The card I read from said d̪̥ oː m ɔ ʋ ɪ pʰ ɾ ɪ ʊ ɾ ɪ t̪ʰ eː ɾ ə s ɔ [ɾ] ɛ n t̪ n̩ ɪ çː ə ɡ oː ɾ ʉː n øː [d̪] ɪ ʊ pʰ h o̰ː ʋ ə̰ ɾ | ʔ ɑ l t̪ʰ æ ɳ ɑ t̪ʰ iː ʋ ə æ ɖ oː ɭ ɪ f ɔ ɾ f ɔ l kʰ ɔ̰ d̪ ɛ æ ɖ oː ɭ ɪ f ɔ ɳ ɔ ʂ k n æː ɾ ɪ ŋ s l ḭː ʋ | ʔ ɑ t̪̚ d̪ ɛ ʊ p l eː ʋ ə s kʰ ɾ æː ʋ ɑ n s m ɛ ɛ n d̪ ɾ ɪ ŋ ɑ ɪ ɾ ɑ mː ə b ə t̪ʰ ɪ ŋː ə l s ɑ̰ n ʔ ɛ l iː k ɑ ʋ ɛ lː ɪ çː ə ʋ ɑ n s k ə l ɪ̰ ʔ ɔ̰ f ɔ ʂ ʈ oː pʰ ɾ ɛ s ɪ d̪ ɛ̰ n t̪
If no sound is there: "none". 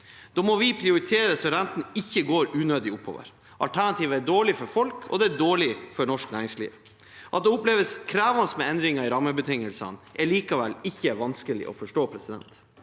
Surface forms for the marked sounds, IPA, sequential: ɾ, d̪

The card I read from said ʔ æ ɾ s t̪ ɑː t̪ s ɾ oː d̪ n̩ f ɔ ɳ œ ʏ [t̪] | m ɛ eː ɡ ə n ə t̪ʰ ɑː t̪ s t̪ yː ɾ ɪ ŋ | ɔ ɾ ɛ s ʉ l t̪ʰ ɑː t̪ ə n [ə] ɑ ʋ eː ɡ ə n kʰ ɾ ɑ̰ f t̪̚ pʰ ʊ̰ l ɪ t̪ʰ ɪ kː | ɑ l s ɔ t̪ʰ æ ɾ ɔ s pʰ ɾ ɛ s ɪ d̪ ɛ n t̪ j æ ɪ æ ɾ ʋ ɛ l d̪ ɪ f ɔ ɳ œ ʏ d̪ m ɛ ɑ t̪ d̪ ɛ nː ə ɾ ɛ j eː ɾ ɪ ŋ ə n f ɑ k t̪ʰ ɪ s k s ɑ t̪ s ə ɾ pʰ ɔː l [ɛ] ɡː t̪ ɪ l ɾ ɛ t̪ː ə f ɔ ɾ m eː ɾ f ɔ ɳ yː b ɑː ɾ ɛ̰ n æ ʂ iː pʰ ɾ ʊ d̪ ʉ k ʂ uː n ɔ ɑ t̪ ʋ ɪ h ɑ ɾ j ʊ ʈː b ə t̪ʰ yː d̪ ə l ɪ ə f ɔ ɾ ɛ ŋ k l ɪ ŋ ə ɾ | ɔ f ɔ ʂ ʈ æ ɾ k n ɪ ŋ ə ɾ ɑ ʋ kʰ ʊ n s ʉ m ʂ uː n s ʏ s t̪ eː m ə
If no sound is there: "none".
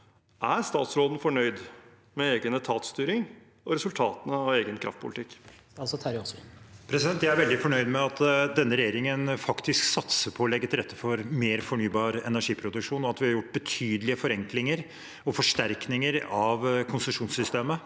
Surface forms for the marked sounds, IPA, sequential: d̪, ə, ɛ

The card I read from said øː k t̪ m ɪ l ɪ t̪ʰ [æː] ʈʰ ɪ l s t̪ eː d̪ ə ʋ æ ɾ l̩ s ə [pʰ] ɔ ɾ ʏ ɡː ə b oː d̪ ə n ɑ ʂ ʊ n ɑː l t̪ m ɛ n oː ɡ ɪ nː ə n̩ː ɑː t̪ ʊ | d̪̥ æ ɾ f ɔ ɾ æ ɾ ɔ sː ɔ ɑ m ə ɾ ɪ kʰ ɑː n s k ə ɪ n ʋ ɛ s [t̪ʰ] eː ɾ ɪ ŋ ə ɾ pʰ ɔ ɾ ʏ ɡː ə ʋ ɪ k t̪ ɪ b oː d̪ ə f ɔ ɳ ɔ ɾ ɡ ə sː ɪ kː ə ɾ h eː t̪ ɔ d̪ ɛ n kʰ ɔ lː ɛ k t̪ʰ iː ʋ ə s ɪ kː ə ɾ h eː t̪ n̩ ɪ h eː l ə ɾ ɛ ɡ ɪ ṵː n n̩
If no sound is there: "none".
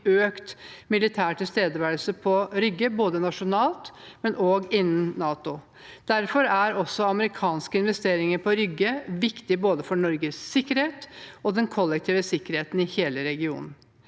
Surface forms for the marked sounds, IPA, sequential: æː, pʰ, t̪

